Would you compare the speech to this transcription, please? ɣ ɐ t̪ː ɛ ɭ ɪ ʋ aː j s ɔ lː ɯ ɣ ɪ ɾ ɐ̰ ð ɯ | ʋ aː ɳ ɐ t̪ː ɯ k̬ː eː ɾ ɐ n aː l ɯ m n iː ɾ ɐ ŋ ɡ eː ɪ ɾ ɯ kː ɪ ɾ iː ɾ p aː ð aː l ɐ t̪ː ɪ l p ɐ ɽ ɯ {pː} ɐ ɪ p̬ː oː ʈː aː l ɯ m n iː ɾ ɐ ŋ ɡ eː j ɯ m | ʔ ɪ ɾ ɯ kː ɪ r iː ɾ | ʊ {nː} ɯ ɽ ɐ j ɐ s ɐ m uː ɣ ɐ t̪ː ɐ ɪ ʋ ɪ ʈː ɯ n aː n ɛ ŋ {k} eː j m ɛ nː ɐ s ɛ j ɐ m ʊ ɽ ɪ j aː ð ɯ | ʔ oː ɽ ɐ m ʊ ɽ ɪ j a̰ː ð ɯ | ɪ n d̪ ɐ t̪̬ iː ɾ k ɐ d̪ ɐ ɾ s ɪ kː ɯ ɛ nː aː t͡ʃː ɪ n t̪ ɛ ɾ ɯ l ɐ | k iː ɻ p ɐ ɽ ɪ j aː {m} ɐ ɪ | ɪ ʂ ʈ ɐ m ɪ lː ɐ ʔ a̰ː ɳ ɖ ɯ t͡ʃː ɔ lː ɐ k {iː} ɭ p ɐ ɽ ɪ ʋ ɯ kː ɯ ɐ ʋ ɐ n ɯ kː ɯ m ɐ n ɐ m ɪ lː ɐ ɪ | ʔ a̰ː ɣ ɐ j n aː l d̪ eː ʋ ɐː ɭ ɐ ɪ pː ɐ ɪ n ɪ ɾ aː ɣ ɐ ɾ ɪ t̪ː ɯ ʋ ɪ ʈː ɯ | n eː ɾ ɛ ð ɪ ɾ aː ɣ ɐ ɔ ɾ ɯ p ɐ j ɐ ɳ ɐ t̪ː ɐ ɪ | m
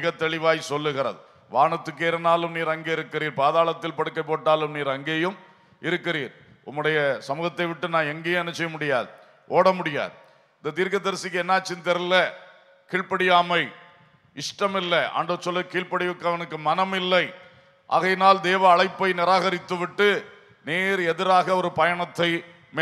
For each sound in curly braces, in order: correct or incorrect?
incorrect: kː, incorrect: mː, incorrect: ɡ, correct, correct

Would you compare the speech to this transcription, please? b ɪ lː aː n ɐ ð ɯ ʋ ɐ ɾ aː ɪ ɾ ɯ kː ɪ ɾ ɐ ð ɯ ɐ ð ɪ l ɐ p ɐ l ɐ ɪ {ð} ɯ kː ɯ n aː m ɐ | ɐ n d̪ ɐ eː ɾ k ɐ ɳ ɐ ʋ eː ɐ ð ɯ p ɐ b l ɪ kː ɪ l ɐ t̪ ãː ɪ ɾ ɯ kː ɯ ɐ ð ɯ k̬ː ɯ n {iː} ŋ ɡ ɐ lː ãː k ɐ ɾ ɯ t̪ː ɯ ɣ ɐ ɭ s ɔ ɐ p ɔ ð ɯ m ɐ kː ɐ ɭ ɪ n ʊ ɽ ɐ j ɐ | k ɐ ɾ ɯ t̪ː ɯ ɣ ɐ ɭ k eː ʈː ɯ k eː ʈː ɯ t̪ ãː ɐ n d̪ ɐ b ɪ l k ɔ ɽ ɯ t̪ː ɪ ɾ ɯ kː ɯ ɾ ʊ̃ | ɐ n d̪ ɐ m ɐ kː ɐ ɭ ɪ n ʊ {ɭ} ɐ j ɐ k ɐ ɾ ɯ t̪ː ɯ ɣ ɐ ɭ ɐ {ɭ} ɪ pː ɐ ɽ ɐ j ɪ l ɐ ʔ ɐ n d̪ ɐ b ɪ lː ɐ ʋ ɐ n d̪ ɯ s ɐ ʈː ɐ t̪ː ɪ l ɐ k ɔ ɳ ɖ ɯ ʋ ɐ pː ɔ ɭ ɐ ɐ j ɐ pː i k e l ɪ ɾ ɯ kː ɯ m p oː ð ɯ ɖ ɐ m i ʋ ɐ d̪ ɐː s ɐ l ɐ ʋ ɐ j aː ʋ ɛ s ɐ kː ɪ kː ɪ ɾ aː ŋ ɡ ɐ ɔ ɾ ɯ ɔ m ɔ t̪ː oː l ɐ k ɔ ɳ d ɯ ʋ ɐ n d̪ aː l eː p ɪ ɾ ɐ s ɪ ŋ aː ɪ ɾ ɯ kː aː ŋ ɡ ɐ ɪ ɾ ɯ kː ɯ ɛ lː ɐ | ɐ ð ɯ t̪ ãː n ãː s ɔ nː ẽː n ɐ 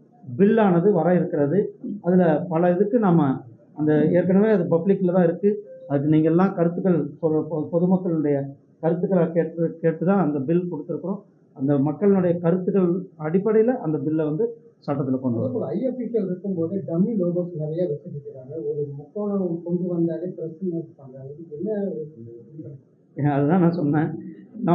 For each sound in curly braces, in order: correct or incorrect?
correct, correct, incorrect: ɽ, incorrect: ɽ

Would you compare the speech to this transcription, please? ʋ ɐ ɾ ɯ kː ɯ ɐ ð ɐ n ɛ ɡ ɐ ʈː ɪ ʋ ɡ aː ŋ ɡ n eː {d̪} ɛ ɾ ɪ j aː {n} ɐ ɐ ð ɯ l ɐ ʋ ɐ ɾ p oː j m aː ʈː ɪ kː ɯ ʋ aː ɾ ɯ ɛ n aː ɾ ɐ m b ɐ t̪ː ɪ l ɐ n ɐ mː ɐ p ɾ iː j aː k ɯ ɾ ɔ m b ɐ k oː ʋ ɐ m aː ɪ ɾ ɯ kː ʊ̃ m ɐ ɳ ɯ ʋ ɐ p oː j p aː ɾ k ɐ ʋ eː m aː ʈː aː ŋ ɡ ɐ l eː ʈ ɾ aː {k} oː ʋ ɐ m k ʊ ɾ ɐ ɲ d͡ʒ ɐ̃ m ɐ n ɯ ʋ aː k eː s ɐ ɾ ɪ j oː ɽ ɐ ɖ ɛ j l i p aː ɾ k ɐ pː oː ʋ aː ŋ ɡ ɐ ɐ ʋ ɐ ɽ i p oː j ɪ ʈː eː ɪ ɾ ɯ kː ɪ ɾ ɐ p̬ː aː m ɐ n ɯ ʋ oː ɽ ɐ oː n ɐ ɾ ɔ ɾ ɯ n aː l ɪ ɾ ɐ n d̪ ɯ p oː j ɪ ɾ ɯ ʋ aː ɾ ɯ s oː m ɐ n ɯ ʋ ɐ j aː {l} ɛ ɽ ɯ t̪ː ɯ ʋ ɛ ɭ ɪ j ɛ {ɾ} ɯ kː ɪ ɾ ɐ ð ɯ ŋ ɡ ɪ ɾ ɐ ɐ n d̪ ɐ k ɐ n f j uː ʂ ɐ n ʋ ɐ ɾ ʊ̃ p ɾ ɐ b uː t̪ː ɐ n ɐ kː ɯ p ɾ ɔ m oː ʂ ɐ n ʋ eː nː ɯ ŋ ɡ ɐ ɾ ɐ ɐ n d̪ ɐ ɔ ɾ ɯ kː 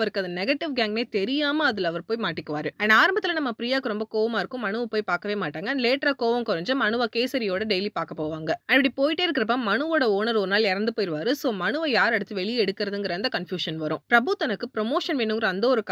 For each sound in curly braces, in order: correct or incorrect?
incorrect: t̪, incorrect: m, correct, incorrect: ɾ, incorrect: ɽ

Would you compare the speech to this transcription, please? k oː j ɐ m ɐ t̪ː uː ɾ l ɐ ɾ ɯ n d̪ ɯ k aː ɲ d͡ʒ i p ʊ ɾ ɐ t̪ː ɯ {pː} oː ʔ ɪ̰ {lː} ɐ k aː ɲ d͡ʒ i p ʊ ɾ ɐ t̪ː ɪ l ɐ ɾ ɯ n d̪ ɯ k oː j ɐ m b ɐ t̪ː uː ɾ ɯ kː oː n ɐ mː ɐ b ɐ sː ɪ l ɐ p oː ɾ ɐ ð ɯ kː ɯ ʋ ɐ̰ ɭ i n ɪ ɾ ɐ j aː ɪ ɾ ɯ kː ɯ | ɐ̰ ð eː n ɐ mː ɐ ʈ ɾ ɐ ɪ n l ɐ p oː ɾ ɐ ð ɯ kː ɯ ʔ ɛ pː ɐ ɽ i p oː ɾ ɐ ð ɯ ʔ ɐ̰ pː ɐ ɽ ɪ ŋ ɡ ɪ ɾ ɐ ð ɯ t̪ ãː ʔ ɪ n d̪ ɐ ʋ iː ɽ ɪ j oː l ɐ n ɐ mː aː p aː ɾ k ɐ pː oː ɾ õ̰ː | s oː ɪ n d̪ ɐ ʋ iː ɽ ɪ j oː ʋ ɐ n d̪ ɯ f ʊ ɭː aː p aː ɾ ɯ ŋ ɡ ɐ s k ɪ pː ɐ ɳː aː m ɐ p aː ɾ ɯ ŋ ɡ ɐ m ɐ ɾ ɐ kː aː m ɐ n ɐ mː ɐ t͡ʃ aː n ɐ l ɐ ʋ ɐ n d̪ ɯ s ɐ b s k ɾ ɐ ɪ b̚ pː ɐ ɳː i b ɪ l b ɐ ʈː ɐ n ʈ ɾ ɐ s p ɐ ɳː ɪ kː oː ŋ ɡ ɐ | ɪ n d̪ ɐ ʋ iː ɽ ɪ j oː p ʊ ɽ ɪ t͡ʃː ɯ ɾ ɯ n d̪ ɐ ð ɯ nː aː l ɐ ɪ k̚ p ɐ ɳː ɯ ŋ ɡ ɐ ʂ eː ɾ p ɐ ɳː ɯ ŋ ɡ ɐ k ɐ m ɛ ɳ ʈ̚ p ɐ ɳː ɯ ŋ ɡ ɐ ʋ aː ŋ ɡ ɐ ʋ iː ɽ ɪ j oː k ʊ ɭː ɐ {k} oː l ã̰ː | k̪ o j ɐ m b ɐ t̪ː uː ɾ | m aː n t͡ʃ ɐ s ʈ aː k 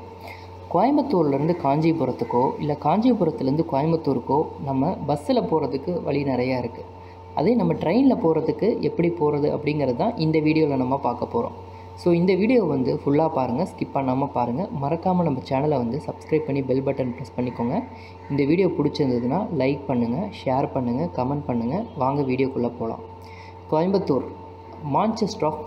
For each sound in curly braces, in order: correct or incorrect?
incorrect: kː, correct, incorrect: p

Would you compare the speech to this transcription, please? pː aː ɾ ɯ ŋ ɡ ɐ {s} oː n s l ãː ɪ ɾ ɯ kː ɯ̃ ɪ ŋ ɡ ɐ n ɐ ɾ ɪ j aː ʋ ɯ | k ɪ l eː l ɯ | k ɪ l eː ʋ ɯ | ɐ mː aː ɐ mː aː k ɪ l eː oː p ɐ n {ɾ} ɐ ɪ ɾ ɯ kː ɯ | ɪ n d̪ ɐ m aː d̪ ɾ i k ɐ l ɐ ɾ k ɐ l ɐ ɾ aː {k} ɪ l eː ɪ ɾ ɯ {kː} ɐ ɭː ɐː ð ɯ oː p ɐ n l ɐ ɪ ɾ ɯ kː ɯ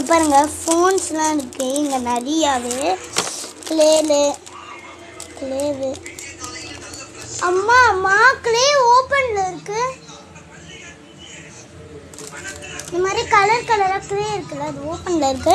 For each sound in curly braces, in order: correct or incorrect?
incorrect: f, incorrect: l, correct, correct

